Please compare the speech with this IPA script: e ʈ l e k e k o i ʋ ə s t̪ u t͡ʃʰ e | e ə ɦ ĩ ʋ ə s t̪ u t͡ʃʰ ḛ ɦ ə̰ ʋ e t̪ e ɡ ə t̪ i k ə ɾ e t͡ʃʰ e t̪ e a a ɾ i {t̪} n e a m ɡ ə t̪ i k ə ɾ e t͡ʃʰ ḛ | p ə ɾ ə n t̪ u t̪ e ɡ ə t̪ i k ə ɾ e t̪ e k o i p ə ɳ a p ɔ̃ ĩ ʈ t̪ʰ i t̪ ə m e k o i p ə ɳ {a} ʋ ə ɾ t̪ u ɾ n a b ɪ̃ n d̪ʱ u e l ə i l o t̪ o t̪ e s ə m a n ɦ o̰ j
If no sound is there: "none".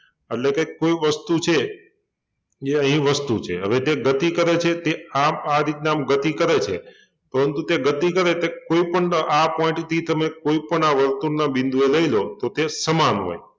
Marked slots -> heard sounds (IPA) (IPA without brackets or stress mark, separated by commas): t̪, a